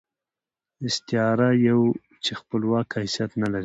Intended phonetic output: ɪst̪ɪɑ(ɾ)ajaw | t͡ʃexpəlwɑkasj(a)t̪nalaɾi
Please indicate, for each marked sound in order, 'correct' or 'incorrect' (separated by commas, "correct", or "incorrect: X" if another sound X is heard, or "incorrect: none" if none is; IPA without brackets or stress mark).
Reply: correct, correct